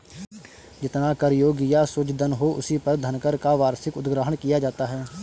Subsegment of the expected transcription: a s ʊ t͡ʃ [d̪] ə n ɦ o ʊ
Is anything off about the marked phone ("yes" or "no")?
no